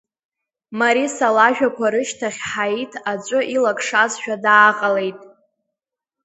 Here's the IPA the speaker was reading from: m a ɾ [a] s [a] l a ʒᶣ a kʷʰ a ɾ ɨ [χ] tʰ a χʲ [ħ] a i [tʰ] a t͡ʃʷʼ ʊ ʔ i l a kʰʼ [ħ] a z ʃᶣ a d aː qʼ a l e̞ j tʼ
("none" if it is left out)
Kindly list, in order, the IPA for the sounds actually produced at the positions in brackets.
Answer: i, a, ʃ, ħ, tʰ, ʂ

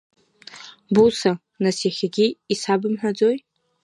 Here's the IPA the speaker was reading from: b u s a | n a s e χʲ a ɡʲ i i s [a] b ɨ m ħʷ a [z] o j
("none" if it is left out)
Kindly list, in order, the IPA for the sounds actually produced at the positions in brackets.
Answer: a, d͡z

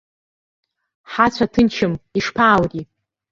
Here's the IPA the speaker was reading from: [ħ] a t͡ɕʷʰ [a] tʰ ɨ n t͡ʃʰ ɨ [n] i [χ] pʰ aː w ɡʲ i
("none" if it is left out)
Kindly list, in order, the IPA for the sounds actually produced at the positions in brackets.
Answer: ħ, a, m, ʂ

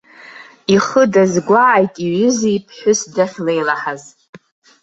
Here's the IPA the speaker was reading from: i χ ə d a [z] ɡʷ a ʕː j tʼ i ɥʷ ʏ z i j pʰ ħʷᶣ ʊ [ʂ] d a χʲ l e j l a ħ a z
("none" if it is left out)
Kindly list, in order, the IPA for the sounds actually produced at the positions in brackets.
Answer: z, s

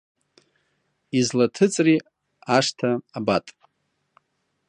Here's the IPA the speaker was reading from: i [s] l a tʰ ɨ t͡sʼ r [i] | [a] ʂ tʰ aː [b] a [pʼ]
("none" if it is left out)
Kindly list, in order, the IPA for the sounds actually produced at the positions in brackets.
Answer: z, i, a, b, tʼ

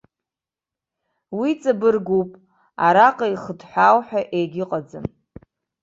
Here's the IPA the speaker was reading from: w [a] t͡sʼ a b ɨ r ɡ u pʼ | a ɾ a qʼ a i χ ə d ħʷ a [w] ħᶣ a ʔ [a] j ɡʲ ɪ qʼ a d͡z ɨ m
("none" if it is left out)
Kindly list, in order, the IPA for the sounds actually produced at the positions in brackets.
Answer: i, w, e

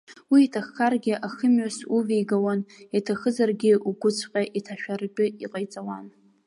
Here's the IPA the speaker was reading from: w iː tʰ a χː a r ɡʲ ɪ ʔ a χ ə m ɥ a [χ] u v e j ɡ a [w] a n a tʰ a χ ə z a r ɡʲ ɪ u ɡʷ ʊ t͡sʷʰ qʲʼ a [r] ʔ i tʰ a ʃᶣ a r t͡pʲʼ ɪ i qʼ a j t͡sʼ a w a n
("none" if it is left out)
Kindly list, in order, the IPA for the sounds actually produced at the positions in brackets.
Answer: s, w, none

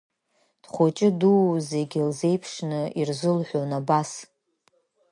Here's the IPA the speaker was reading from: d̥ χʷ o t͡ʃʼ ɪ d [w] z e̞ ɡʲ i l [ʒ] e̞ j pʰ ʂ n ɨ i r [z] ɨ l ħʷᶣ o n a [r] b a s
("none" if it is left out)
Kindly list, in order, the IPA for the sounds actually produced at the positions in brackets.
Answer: u, z, z, none

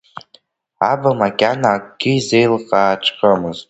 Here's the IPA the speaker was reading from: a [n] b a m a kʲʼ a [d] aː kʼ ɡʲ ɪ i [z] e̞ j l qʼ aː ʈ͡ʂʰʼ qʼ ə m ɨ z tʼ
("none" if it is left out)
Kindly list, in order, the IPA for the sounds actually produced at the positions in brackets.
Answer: none, n, z

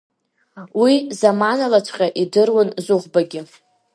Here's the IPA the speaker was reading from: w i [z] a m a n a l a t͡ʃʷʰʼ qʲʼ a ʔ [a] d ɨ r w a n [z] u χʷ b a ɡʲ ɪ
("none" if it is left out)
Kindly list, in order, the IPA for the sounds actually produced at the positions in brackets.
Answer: z, i, z

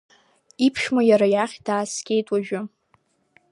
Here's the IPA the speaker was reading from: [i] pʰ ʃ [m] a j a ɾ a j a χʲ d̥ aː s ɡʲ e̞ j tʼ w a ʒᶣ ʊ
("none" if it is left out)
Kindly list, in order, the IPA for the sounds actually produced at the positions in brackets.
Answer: i, m

